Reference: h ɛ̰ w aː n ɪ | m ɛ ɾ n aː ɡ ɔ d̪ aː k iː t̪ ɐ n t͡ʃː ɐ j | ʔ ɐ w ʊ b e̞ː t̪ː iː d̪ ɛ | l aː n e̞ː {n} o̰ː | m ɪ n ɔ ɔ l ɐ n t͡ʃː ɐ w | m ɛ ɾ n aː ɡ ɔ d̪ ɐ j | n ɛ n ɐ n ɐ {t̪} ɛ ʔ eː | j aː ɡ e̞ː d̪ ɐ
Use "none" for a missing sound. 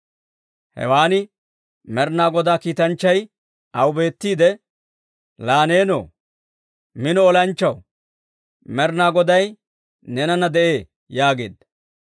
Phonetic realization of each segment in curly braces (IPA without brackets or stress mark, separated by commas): n, d̪